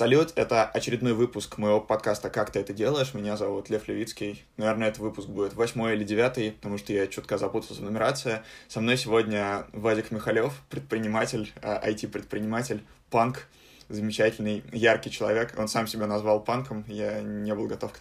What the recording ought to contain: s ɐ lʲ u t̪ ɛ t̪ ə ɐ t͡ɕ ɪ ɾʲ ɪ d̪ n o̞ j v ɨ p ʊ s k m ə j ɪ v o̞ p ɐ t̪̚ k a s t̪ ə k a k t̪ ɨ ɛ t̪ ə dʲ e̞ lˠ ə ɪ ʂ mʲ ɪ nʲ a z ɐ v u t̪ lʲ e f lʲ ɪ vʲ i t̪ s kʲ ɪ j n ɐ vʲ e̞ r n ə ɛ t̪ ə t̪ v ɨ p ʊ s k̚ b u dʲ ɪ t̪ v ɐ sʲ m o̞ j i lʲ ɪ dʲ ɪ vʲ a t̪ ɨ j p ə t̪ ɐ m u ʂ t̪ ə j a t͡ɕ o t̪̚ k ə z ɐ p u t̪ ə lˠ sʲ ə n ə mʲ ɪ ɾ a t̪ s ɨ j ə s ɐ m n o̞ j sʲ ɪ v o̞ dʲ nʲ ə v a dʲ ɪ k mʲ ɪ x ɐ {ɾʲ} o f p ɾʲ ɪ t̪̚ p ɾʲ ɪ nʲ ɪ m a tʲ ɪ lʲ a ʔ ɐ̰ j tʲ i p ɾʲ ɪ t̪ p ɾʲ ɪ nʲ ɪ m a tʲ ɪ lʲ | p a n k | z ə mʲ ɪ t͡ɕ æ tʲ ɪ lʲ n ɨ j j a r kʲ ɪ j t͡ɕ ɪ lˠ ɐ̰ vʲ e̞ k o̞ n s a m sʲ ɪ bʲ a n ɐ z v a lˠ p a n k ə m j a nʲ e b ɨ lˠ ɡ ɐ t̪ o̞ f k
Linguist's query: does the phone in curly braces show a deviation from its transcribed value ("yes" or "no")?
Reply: yes